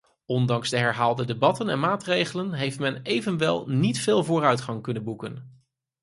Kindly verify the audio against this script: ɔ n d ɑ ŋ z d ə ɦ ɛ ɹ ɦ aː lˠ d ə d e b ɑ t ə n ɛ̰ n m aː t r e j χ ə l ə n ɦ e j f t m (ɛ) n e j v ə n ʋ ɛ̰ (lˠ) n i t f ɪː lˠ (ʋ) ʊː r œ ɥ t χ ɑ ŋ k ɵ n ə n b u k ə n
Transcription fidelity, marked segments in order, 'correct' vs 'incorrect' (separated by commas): correct, correct, incorrect